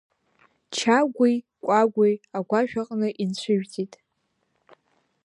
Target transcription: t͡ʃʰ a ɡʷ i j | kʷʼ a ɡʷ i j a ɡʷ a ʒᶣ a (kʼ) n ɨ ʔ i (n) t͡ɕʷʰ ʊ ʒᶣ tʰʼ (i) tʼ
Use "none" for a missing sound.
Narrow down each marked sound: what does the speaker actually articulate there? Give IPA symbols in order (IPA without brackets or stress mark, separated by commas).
qʼ, n, i